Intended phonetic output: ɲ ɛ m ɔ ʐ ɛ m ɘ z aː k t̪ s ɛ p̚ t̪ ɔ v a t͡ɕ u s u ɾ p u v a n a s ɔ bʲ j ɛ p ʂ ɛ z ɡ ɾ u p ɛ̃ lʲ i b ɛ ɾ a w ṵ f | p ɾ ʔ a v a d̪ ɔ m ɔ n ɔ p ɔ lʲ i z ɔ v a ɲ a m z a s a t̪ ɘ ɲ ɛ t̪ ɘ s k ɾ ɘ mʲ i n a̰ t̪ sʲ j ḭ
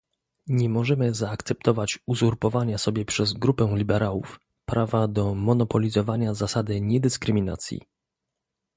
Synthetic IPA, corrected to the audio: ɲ ɛ m ɔ ʐ ɛ m ɘ z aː k t̪ s ɛ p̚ t̪ ɔ v a t͡ɕ u z u ɾ p ɔ v a ɲ a s ɔ bʲ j ɛ p ʂ ɛ z ɡ ɾ u p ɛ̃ lʲ i b ɛ ɾ a w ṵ f | p ɾ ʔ a v a d̪ ɔ m ɔ n ɔ p ɔ lʲ i z ɔ v a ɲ a z a s a d̪ ɘ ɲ ɛ d̪ ɘ s k ɾ ɘ mʲ i n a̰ t̪ sʲ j ḭ

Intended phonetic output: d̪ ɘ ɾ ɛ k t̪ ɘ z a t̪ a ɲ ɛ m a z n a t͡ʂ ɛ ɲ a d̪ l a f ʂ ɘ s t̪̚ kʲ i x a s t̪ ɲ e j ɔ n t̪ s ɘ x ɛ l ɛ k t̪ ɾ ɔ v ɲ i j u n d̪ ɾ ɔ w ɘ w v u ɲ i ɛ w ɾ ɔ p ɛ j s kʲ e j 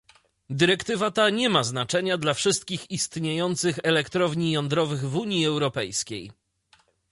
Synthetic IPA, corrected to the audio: d̪ ɘ ɾ ɛ k t̪ ɘ v a t̪ a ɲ ɛ m a z n a t͡ʂ ɛ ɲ a d̪ l a f ʂ ɘ s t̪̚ kʲ i x i s t̪ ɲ e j ɔ n t̪ s ɘ x ɛ l ɛ k t̪ ɾ ɔ v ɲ i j ɔ n d̪ ɾ ɔ v ɘ ɣ v u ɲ i ɛ w ɾ ɔ p ɛ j s kʲ e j

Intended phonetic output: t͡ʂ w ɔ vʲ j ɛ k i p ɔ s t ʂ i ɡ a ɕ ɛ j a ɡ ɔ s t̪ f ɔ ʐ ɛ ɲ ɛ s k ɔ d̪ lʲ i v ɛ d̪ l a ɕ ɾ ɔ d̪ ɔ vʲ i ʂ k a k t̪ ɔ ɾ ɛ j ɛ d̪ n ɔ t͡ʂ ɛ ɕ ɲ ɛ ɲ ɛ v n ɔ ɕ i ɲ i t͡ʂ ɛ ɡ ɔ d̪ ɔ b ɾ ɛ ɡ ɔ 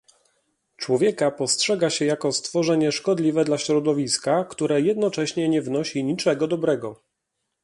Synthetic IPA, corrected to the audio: t͡ʂ w ɔ vʲ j ɛ k a p ɔ s t ʂ ɛ ɡ a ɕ ɛ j a k ɔ s t̪ f ɔ ʐ ɛ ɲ ɛ ʂ k ɔ d̪ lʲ i v ɛ d̪ l a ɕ ɾ ɔ d̪ ɔ vʲ i s k a k t̪ u ɾ ɛ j ɛ d̪ n ɔ t͡ʂ ɛ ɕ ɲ ɛ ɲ ɛ v n ɔ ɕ i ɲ i t͡ʂ ɛ ɡ ɔ d̪ ɔ b ɾ ɛ ɡ ɔ

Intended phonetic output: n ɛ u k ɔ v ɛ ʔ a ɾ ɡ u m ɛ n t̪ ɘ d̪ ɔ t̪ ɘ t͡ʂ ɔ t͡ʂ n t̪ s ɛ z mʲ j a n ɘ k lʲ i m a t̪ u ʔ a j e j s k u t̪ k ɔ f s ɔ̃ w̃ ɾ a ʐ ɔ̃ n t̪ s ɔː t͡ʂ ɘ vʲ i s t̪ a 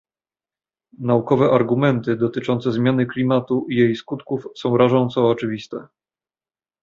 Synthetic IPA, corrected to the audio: n a u k ɔ v ɛ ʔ a ɾ ɡ u m ɛ n t̪ ɘ d̪ ɔ t̪ ɘ t͡ʂ ɔ n t̪ s ɛ z mʲ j a n ɘ k lʲ i m a t̪ u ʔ i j e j s k u t̪ k u f s ɔ̃ w̃ ɾ a ʐ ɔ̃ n t̪ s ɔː t͡ʂ ɘ vʲ i s t̪ ɛ

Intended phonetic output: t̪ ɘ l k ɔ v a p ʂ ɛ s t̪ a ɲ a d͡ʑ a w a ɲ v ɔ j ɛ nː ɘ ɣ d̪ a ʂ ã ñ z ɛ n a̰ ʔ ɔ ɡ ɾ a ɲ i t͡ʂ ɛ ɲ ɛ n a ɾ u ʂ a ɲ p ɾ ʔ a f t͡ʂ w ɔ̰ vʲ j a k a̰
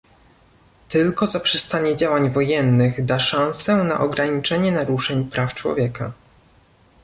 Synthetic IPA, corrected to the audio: t̪ ɘ l k ɔ z a p ʂ ɛ s t̪ a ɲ ɛ d͡ʑ a w a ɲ v ɔ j ɛ nː ɘ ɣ d̪ a ʂ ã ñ s ɛ n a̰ ʔ ɔ ɡ ɾ a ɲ i t͡ʂ ɛ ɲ ɛ n a ɾ u ʂ ɛ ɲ p ɾ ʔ a f t͡ʂ w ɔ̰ vʲ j ɛ k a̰

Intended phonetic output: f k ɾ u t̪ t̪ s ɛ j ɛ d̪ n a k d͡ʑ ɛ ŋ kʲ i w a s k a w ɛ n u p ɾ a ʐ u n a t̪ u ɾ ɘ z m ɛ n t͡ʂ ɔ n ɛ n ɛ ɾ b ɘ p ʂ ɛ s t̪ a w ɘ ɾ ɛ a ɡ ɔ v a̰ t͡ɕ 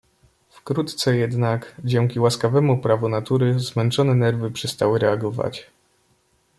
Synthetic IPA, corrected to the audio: f k ɾ u t̪ t̪ s ɛ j ɛ d̪ n a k d͡ʑ ɛ ŋ kʲ i w a s k a v ɛ m u p ɾ a v u n a t̪ u ɾ ɘ z m ɛ n t͡ʂ ɔ n ɛ n ɛ ɾ v ɘ p ʂ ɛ s t̪ a w ɘ ɾ ɛ a ɡ ɔ v a̰ t͡ɕ

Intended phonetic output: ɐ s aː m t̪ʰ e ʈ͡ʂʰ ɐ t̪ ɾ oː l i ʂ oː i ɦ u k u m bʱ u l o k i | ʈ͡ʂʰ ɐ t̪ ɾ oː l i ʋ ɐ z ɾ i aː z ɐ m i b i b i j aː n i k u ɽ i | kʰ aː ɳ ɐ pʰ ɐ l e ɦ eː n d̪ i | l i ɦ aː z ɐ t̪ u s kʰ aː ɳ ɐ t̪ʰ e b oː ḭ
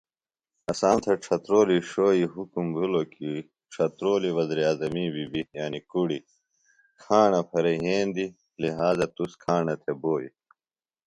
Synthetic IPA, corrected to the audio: ɐ s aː n t̪ʰ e ʈ͡ʂʰ ɐ t̪ ɾ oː l i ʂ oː i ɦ u k u m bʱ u l o k i | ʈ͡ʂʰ ɐ t̪ ɾ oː l i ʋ ɐ z ɾ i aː z ɐ m i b i b i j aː n i k u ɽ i | kʰ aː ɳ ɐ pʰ ɐ ɾ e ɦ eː n d̪ i | l i ɦ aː z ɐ t̪ u s kʰ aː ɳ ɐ t̪ʰ e b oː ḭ

